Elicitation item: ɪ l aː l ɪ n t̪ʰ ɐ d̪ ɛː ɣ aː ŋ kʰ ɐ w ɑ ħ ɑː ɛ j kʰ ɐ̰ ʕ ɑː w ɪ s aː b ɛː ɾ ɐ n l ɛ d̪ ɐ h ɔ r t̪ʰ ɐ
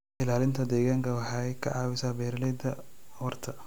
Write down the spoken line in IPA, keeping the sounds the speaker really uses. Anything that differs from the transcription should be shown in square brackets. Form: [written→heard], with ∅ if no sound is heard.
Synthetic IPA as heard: ɪ l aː l ɪ n t̪ʰ ɐ d̪ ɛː ɣ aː ŋ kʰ ɐ w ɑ ħ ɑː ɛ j kʰ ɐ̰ ʕ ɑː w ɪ s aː b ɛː ɾ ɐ [n→∅] l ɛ d̪ ɐ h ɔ r t̪ʰ ɐ